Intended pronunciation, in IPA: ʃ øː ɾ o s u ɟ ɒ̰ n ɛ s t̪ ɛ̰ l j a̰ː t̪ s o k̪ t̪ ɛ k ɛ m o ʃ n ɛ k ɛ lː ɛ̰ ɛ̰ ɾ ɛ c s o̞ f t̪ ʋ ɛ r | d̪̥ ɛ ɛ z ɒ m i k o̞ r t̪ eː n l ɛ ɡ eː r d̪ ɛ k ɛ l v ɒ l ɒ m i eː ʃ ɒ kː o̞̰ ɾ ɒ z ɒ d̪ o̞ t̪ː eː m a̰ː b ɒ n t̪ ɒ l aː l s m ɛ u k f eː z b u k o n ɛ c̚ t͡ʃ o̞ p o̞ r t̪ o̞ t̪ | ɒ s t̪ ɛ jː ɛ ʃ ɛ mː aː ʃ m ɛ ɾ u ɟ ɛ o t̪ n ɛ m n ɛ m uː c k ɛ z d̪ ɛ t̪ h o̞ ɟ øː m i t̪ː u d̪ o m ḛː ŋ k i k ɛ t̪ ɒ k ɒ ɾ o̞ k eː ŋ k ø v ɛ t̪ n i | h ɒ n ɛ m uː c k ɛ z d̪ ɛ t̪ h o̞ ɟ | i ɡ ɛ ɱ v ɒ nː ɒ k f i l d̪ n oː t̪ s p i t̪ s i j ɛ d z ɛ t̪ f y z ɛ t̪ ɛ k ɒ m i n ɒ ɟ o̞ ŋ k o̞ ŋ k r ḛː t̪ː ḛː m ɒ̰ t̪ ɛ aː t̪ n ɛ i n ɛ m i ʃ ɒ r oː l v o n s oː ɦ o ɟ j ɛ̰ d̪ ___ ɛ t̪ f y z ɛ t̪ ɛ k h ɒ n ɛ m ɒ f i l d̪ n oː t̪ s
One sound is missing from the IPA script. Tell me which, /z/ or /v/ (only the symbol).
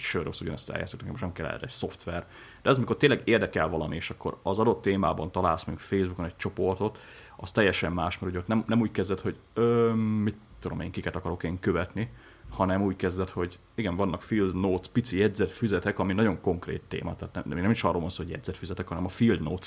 z